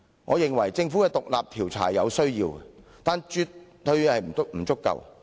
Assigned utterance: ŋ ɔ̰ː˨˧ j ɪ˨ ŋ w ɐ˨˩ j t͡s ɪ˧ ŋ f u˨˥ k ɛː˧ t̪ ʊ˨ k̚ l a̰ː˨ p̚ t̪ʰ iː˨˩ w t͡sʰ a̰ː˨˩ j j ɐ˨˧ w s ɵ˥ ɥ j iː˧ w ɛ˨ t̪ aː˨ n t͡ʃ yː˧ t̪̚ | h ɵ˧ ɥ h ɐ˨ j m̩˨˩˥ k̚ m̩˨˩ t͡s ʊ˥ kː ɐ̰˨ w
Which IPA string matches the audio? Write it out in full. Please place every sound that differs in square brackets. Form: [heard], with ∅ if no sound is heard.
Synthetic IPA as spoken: ŋ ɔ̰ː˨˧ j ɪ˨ ŋ w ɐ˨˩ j t͡s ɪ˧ ŋ f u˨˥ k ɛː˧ t̪ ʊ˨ k̚ l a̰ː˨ p̚ t̪ʰ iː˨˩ w t͡sʰ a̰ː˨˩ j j ɐ˨˧ w s ɵ˥ ɥ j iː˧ w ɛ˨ t̪ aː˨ n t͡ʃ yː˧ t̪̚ | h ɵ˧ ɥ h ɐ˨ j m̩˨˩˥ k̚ m̩˨˩ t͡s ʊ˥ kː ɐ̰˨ w